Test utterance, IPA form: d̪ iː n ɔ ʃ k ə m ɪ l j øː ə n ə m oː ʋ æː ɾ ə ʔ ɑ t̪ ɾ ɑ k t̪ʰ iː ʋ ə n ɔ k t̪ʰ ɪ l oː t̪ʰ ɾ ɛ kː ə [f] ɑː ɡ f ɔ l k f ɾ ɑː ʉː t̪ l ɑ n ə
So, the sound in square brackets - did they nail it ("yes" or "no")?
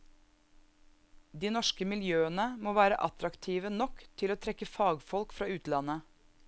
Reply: yes